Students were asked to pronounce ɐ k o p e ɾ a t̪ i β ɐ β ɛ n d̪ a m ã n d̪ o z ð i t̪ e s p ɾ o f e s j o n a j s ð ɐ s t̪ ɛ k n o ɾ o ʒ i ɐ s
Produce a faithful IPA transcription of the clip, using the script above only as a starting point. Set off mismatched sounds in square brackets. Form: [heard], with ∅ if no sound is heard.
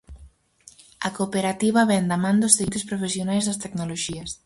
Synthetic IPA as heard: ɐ k o p e ɾ a t̪ i β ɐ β ɛ n d̪ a m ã n d̪ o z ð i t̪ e s p ɾ o f e s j o n a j [z] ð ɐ s t̪ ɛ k n o [l] o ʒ i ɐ s